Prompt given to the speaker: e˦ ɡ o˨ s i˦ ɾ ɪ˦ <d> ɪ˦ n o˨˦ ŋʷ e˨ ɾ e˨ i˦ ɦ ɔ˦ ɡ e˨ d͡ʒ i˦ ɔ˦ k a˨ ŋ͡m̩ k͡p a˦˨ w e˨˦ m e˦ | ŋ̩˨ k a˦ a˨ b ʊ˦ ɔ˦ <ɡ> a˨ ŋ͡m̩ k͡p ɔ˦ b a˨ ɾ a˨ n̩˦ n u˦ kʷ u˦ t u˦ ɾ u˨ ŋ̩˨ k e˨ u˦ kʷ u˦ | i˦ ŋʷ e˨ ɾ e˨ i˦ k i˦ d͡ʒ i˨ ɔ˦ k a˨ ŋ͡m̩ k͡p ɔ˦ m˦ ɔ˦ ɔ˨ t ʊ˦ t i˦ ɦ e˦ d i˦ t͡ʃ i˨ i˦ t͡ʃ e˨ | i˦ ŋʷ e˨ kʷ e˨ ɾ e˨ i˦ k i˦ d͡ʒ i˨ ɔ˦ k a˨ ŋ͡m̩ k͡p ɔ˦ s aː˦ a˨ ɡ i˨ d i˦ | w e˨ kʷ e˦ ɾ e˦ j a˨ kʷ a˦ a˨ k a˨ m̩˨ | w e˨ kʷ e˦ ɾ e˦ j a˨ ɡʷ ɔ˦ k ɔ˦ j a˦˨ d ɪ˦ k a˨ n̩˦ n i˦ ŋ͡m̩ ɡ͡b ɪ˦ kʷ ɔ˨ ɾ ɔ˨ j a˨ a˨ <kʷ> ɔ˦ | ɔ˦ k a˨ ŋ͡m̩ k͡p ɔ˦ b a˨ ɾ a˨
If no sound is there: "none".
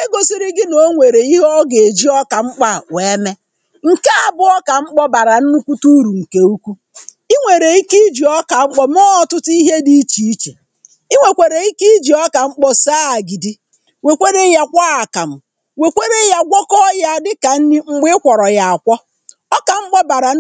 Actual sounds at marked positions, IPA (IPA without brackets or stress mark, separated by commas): ɡ, k, kʷ